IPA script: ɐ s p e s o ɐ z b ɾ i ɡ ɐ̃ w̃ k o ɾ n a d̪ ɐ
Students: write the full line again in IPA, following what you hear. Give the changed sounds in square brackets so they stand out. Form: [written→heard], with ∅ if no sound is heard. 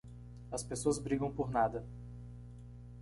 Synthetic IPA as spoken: ɐ s p e s o ɐ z b ɾ i ɡ ɐ̃ w̃ [k→p] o ɾ n a d̪ ɐ